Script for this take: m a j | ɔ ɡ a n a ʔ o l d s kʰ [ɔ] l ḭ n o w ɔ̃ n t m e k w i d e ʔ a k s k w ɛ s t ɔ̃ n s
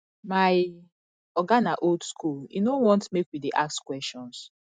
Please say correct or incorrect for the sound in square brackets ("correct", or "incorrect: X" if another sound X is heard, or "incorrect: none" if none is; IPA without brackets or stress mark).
incorrect: u